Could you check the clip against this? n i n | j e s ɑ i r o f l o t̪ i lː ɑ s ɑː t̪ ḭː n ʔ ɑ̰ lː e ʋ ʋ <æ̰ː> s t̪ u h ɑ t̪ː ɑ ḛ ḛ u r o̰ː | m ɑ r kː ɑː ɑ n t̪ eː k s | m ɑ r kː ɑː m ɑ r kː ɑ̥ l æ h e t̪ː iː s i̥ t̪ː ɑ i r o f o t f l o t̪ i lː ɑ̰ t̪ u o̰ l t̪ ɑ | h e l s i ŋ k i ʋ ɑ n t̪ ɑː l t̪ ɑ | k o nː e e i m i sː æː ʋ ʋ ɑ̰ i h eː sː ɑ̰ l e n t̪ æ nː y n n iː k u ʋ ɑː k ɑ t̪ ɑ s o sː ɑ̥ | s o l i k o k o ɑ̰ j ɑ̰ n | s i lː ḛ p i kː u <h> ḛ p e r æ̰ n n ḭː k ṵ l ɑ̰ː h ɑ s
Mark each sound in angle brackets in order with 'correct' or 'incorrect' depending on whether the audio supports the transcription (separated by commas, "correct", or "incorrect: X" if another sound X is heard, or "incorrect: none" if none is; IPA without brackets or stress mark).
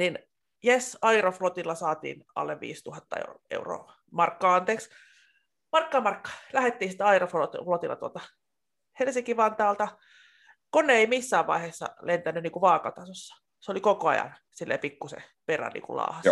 incorrect: ḭː, incorrect: s